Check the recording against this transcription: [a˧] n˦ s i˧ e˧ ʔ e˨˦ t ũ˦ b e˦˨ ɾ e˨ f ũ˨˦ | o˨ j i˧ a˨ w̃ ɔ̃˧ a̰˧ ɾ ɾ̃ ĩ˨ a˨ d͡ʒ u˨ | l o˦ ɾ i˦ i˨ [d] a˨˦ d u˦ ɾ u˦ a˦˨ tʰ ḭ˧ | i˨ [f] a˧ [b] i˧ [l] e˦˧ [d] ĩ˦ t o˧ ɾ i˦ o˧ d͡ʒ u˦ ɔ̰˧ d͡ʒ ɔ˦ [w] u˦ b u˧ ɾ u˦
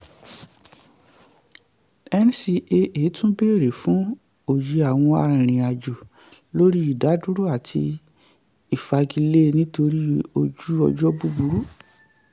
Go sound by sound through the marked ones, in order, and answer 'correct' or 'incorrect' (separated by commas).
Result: incorrect, correct, correct, incorrect, correct, incorrect, incorrect